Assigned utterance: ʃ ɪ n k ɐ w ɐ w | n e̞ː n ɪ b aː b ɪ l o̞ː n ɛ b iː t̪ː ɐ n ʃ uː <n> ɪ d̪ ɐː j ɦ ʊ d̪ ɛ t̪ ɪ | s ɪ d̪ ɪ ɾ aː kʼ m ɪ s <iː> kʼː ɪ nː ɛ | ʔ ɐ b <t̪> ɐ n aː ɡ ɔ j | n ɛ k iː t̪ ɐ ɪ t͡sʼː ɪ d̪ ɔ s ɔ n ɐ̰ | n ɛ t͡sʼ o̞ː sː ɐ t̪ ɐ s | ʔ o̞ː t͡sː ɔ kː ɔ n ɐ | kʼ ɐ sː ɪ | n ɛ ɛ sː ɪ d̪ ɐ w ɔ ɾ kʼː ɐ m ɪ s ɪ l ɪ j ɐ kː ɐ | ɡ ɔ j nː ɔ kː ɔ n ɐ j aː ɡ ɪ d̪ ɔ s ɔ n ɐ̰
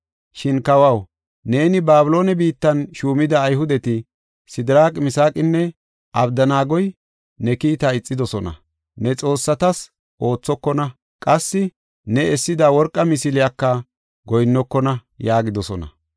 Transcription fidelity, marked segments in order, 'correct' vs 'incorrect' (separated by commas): incorrect, incorrect, incorrect